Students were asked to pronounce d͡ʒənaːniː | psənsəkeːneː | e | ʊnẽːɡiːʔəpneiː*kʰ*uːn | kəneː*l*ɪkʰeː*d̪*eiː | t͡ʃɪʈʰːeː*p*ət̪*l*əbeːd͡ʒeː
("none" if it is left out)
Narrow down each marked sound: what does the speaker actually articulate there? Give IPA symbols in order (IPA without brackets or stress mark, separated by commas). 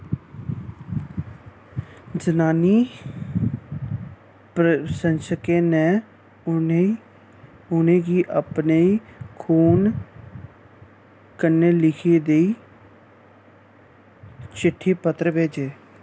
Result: kʰ, l, d̪, p, ɾ